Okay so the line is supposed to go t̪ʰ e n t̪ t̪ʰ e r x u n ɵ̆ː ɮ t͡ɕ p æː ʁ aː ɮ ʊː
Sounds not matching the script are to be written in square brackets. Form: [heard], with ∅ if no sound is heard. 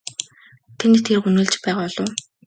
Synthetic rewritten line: t̪ʰ e n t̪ t̪ʰ e r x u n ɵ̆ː ɮ t͡ɕ p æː ʁ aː ɮ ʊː